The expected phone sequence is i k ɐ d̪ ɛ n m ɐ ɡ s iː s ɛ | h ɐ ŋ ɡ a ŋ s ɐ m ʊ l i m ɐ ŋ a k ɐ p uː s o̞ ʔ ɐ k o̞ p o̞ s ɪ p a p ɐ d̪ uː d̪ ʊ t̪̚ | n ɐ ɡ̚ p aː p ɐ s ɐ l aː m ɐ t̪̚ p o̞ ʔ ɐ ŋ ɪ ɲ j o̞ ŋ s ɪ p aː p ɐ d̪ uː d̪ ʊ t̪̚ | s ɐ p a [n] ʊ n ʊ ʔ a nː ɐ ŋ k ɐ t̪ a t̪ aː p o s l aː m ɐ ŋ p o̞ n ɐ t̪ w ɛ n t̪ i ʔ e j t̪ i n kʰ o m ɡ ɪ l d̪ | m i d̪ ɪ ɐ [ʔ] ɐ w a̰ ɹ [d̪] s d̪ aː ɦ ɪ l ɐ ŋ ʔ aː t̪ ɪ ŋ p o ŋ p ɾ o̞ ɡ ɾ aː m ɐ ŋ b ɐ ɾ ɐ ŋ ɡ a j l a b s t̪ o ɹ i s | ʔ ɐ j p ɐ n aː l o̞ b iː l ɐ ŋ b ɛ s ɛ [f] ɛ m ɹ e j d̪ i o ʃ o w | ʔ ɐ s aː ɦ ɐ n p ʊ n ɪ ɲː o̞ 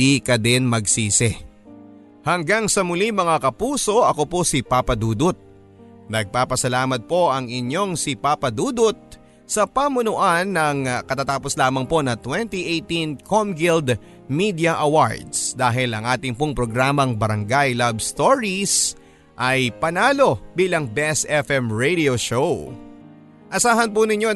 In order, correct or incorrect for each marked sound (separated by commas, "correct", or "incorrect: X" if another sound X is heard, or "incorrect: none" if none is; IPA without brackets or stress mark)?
incorrect: m, correct, correct, correct